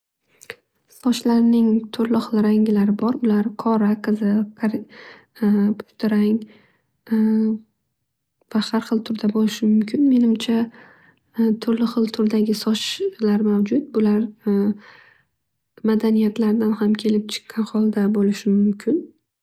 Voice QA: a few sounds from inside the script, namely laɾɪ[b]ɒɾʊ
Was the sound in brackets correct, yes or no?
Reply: yes